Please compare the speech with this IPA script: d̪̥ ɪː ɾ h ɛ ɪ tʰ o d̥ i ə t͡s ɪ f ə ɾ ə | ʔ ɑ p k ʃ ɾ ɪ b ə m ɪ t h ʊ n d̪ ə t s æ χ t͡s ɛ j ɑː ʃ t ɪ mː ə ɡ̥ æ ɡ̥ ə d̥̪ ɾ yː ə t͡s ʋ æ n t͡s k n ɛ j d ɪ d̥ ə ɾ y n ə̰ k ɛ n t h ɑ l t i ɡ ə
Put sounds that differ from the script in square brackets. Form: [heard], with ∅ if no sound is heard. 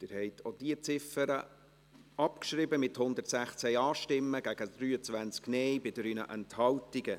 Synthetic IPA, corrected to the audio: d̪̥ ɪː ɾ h ɛ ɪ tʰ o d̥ i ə t͡s ɪ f ə ɾ ə | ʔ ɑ p k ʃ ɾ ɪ b ə m ɪ t h ʊ n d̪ ə t s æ χ t͡s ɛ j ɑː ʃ t ɪ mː ə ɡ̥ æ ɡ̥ ə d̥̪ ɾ yː ə t͡s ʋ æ n t͡s k n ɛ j [b] ɪ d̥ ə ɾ y n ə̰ [ʔ] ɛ n t h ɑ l t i ɡ ə